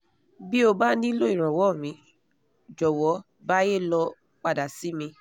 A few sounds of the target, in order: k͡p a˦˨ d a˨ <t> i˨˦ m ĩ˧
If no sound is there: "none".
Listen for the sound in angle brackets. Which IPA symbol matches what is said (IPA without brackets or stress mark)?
s